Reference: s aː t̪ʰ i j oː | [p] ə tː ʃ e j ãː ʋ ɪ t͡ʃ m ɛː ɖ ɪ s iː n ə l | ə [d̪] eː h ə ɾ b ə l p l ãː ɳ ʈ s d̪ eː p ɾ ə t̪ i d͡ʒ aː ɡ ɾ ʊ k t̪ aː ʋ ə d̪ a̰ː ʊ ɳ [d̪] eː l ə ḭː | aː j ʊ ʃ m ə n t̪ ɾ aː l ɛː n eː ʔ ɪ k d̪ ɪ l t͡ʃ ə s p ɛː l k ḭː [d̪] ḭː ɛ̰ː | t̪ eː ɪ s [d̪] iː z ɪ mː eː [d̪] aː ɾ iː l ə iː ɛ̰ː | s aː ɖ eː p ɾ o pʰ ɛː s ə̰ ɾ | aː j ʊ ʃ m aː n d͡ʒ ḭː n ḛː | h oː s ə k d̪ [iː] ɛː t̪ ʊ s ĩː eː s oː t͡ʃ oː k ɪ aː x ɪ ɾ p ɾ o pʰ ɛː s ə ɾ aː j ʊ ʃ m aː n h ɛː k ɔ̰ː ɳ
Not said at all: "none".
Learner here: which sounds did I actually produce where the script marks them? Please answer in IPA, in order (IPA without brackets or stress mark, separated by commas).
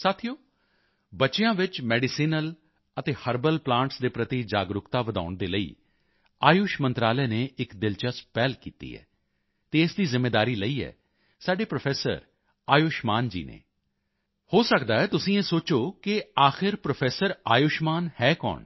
b, t̪, d̪, t̪, d̪, d̪, aː